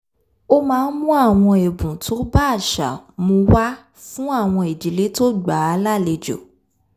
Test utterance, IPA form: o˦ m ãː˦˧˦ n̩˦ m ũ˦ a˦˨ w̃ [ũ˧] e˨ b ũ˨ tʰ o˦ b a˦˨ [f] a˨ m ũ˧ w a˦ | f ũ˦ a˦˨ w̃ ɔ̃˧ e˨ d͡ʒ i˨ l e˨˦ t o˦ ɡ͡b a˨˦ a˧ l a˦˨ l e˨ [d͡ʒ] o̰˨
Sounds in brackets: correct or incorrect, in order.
incorrect: ɔ̃˧, incorrect: ʃ, correct

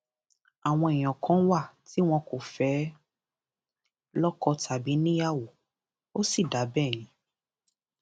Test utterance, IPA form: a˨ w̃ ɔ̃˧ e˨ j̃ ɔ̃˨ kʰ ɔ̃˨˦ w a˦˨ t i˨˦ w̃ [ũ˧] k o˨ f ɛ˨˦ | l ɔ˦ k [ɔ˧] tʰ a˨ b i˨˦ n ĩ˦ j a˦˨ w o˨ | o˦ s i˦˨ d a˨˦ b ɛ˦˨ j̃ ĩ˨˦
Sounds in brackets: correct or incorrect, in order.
incorrect: ɔ̃˧, correct

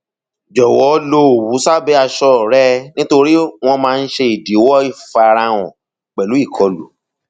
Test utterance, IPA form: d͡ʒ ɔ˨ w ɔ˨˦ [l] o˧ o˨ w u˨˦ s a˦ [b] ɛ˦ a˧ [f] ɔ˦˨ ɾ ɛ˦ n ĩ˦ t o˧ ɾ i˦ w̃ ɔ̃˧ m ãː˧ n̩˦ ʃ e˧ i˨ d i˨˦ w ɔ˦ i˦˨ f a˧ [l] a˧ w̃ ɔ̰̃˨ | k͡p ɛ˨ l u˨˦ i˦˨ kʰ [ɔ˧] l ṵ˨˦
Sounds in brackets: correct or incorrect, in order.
correct, correct, incorrect: ʃ, incorrect: ɾ, correct

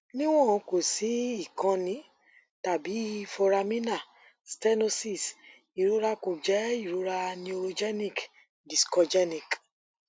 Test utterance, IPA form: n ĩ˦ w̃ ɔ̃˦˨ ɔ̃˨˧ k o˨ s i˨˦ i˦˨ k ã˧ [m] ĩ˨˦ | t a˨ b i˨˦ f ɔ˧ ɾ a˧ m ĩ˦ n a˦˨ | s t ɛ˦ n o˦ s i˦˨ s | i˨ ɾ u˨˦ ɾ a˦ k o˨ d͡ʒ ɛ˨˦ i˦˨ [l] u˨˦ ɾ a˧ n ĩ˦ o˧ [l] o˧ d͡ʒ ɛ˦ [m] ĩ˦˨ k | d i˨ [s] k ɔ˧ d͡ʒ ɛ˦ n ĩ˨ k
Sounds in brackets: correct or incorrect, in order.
incorrect: n, incorrect: ɾ, incorrect: ɾ, incorrect: n, correct

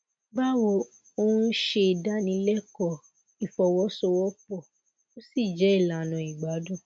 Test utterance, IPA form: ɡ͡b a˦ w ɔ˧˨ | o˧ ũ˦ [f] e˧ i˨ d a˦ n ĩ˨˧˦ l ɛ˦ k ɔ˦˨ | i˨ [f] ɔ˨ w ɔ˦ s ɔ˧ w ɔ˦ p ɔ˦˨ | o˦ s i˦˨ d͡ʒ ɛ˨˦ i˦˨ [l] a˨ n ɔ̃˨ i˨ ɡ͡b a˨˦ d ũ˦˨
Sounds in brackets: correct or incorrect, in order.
incorrect: ʃ, correct, correct

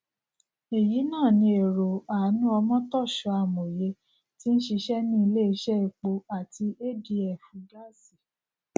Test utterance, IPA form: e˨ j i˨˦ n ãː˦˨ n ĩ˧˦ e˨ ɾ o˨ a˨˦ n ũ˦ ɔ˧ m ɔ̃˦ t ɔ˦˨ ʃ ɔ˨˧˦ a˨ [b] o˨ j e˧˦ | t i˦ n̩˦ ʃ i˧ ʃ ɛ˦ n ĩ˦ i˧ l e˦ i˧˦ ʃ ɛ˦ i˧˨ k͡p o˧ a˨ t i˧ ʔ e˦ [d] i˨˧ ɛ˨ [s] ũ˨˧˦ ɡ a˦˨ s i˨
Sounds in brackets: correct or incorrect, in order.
incorrect: m, correct, incorrect: f

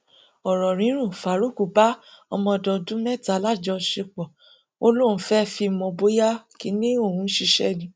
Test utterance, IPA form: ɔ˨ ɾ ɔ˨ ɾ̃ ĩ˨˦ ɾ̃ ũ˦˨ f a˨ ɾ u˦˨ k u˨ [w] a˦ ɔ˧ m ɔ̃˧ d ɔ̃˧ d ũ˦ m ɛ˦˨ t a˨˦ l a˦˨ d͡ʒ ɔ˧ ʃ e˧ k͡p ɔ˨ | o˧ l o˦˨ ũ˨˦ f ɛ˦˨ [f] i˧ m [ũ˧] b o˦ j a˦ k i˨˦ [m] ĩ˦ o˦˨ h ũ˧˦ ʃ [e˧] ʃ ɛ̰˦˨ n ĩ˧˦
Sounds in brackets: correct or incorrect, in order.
incorrect: b, correct, incorrect: ɔ̃˧, incorrect: n, incorrect: i˧

